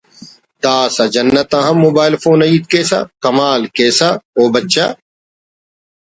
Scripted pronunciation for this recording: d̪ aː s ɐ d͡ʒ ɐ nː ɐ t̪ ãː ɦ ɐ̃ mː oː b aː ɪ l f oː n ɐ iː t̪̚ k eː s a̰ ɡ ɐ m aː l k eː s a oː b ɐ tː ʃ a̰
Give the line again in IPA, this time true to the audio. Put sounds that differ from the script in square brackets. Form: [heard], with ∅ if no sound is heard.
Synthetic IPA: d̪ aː s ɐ d͡ʒ ɐ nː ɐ t̪ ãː ɦ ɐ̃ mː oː b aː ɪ l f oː n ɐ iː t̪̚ k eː s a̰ [k] ɐ m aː l k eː s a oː b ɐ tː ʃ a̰